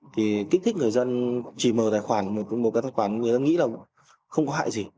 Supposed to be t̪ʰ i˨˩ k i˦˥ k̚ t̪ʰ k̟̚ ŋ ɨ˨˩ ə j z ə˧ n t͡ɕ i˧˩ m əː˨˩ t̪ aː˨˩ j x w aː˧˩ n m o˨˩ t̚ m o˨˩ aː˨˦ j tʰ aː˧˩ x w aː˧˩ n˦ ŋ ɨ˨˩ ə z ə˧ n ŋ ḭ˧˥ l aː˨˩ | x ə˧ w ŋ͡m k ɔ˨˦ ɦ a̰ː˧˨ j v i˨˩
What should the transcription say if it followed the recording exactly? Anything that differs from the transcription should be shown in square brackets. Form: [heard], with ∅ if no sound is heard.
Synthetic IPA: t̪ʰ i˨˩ k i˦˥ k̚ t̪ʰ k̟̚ ŋ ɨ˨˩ ə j z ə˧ n t͡ɕ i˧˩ m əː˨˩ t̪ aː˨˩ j x w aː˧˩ n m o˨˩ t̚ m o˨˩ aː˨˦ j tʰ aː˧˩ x w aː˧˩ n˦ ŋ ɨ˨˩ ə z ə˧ n ŋ ḭ˧˥ l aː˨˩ | x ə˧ w ŋ͡m k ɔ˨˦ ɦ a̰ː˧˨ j [z] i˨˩

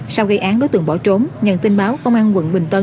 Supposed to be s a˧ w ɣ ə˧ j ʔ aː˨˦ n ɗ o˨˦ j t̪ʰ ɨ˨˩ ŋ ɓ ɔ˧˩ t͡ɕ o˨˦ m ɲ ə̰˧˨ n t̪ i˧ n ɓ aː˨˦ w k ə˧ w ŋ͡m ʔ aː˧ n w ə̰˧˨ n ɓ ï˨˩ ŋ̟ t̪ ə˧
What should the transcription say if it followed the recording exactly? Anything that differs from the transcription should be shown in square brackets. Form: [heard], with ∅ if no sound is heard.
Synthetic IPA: s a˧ w ɣ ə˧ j ʔ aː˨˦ n ɗ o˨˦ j [t̪] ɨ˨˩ ŋ ɓ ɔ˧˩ t͡ɕ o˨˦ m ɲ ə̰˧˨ n t̪ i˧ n ɓ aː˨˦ w k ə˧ w ŋ͡m ʔ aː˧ n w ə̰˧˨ n ɓ ï˨˩ ŋ̟ t̪ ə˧

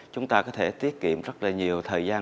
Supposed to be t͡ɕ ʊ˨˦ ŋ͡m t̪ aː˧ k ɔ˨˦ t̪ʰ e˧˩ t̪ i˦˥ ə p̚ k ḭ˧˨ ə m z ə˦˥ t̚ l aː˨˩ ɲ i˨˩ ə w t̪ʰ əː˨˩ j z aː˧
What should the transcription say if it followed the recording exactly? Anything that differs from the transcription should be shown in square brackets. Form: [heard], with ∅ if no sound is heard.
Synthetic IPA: t͡ɕ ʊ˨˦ ŋ͡m t̪ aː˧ k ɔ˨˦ t̪ʰ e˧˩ t̪ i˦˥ ə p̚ k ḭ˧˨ ə m z ə˦˥ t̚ l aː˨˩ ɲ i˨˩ ə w t̪ʰ əː˨˩ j z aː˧

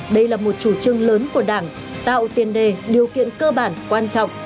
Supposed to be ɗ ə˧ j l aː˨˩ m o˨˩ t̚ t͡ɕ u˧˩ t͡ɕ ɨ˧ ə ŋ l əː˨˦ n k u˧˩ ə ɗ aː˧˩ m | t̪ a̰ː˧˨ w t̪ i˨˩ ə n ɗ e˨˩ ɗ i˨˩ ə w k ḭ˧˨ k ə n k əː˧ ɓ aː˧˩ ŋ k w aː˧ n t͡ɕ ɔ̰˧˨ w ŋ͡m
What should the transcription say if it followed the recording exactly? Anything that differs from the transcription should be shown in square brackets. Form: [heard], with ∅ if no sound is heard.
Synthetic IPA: ɗ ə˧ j l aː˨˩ m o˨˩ t̚ t͡ɕ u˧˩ t͡ɕ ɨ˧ ə ŋ l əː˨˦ n k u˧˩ ə ɗ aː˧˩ [ŋ] | t̪ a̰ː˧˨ w t̪ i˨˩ ə n ɗ e˨˩ ɗ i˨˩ ə w k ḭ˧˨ [∅] ə n k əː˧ ɓ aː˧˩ [n] k w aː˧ n t͡ɕ ɔ̰˧˨ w ŋ͡m

